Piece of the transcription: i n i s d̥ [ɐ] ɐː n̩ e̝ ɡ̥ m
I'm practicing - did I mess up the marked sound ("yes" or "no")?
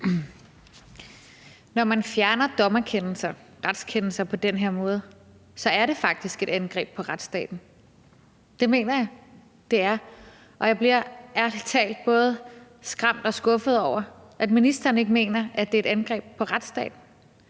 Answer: no